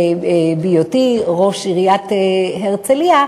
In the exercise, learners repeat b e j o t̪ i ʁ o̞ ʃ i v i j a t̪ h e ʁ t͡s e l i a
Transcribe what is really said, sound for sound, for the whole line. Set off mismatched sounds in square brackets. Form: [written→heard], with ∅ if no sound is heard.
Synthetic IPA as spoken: b [e→i] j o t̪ i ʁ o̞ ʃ i [v→ʁ] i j a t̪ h e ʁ t͡s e l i a